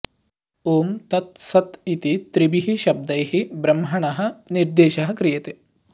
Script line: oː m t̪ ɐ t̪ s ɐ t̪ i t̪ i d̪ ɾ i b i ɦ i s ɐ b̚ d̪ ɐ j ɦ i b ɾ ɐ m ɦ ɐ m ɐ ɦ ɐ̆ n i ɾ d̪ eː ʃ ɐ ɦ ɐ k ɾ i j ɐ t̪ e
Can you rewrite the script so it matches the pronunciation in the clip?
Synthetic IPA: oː m t̪ ɐ t̪ s ɐ t̪ i t̪ i t̪ ɾ i b i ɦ i ʃ ɐ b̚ d̪ ɐ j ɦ i b ɾ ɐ m ɦ ɐ ɳ ɐ ɦ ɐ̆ n i ɾ d̪ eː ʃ ɐ ɦ ɐ k ɾ i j ɐ t̪ e